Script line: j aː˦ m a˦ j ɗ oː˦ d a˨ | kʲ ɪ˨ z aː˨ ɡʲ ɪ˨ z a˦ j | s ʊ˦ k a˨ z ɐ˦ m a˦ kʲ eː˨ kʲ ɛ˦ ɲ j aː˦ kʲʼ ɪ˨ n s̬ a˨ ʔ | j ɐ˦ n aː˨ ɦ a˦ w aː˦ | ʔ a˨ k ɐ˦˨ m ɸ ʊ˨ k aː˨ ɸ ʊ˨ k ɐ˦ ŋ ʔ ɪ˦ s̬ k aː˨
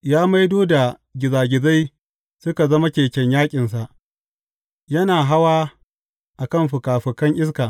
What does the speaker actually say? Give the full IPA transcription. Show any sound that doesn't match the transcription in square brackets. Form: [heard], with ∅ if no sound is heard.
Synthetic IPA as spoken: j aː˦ m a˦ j [d] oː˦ d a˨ | [ɡʲ] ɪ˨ z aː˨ ɡʲ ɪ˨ z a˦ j | s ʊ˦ k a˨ z ɐ˦ m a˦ kʲ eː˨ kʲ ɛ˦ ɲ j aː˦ kʲʼ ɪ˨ n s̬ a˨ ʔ | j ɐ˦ n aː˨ ɦ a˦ w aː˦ | ʔ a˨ k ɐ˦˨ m ɸ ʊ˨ k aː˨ ɸ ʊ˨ k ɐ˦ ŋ ʔ ɪ˦ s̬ k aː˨